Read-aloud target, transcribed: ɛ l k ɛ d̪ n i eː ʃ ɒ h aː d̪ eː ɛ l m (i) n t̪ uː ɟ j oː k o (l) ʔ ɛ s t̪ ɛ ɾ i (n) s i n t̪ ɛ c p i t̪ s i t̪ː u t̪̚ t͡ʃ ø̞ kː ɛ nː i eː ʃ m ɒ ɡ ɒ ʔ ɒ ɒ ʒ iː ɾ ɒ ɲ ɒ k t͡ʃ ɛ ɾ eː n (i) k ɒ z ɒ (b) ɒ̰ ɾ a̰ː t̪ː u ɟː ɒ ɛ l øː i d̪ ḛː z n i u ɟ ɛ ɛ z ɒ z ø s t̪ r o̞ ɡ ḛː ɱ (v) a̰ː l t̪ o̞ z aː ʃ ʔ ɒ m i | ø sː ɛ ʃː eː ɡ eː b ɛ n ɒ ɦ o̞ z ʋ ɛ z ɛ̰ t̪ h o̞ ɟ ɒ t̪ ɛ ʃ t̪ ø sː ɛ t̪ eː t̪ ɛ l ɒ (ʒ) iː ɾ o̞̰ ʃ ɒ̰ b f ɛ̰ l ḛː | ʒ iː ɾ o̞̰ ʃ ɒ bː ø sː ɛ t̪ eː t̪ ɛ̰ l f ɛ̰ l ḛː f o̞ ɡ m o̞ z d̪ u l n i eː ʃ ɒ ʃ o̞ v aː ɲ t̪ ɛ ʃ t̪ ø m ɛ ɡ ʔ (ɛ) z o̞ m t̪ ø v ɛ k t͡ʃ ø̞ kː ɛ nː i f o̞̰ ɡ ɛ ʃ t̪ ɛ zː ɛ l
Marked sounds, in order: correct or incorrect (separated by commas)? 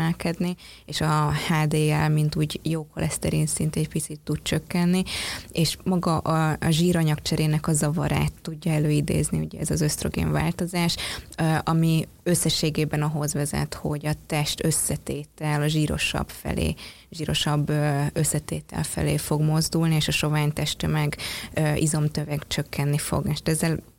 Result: correct, correct, correct, incorrect, incorrect, correct, correct, incorrect